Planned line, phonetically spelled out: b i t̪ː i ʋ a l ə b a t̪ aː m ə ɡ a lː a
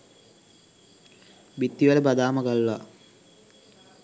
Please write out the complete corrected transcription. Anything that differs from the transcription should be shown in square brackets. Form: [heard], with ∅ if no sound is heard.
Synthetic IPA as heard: b i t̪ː i ʋ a l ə b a [d̪] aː m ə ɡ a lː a